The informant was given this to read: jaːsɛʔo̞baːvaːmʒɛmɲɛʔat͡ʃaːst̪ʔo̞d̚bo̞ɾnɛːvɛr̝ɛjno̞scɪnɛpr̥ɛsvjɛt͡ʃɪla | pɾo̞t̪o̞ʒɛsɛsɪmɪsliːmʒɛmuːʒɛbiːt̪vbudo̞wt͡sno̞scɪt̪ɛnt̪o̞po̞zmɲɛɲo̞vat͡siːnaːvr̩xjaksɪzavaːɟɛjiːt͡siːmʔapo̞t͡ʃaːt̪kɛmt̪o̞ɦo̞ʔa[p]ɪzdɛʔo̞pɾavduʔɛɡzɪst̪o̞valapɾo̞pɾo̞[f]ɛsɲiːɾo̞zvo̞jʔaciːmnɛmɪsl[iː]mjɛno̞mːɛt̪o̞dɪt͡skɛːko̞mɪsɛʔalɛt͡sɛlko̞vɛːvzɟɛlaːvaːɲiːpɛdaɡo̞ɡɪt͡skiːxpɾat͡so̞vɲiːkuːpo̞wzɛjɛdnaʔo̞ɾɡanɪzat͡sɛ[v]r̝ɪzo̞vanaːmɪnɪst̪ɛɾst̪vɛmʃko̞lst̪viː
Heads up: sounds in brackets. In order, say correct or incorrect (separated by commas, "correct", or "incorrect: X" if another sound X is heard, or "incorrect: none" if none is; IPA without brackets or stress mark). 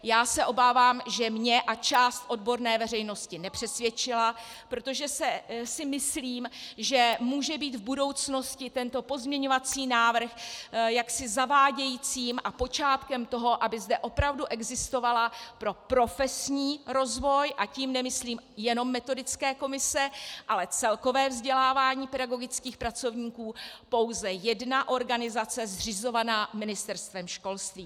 incorrect: b, correct, correct, incorrect: z